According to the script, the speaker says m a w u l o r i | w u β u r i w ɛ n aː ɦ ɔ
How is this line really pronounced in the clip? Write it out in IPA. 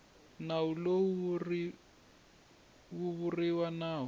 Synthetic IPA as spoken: n a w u l o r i | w u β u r i w a n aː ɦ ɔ